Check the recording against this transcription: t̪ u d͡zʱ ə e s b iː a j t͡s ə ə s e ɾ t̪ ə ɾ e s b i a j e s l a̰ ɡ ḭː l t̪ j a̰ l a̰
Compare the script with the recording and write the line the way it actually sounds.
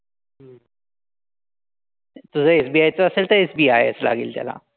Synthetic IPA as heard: t̪ u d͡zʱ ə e s b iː a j t͡s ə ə s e l t̪ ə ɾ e s b i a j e s l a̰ ɡ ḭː l t̪ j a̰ l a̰

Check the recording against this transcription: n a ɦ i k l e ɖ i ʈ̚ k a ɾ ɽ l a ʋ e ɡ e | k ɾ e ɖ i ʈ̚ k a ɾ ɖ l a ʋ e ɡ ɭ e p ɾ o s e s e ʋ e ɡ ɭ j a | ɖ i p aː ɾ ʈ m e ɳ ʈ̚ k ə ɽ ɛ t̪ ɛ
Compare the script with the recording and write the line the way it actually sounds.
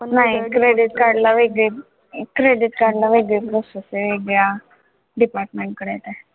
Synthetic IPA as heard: n a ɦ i k ɾ e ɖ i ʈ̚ k a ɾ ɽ l a ʋ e ɡ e | k ɾ e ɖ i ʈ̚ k a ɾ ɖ l a ʋ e ɡ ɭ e p ɾ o s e s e ʋ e ɡ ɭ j a | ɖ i p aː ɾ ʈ m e ɳ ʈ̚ k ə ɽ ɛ t̪ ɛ

